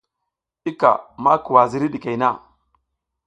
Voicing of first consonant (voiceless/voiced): voiceless